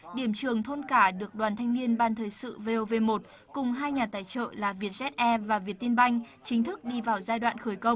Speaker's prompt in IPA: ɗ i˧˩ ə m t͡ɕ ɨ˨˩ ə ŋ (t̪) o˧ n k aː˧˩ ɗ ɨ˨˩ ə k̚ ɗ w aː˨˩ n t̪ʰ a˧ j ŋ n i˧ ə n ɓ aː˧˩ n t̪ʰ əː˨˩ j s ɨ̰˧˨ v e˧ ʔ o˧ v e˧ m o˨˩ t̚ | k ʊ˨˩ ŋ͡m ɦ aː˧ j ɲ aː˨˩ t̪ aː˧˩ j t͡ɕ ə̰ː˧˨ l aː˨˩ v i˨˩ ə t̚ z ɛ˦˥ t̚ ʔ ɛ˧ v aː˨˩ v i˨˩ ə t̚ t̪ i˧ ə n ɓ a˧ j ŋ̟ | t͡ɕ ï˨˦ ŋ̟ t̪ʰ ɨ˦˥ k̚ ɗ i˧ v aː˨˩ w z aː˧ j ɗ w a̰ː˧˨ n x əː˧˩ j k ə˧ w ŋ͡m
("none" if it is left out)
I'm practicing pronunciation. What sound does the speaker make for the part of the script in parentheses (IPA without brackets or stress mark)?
t̪ʰ